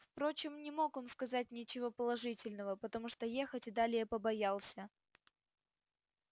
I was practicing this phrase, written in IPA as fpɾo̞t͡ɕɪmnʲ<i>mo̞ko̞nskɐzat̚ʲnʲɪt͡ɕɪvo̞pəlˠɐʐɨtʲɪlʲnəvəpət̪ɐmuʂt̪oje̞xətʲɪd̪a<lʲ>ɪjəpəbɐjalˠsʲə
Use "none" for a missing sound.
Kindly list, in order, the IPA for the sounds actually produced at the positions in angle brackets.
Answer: ɪ, lʲ

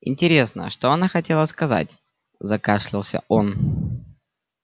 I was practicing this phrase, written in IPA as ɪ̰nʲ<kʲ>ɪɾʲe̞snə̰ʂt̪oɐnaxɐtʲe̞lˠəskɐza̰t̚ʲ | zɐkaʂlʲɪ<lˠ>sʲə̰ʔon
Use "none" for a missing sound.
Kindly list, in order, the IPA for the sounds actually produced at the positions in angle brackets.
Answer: tʲ, lˠ

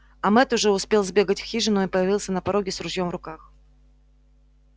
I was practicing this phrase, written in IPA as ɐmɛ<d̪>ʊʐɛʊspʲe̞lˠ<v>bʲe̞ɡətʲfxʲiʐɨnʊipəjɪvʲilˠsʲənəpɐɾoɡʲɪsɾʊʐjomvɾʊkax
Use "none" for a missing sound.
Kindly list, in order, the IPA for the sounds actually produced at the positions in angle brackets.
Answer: t̪, z

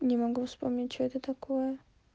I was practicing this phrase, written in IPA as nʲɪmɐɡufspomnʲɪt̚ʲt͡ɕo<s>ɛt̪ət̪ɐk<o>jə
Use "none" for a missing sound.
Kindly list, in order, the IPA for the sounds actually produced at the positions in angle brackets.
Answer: none, o

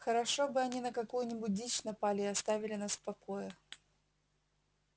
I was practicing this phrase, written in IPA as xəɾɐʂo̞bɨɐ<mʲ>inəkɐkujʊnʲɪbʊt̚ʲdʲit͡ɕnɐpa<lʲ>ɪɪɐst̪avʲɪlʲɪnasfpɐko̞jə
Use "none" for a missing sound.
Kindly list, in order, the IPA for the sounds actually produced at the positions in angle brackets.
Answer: nʲ, lʲ

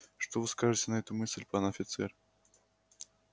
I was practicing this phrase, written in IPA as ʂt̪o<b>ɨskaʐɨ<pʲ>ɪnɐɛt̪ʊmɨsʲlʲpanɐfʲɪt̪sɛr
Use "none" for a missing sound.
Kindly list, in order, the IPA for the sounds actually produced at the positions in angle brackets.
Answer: v, tʲ

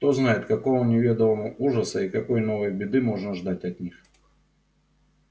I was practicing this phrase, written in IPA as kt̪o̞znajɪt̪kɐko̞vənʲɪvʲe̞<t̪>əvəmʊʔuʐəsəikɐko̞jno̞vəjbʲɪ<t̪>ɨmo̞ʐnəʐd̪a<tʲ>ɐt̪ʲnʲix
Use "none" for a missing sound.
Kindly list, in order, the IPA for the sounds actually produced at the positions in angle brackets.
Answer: d̪, d̪, tʲ

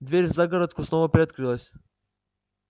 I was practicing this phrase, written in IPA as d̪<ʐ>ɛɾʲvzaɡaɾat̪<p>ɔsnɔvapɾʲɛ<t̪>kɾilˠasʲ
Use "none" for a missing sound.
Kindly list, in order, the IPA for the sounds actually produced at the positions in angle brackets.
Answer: v, k, t̪

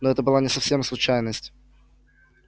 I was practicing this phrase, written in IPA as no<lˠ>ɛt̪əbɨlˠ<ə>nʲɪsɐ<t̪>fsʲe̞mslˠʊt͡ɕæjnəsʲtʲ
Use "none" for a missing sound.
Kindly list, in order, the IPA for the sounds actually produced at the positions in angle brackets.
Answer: none, a, none

